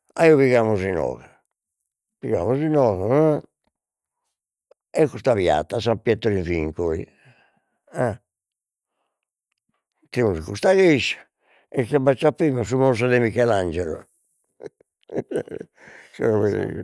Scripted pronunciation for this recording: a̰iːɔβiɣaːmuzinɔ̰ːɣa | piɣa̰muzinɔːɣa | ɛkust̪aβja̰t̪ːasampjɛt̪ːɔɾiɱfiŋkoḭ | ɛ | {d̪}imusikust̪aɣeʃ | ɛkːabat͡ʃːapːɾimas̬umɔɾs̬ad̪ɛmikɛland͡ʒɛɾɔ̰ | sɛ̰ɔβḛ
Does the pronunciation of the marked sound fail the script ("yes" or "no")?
yes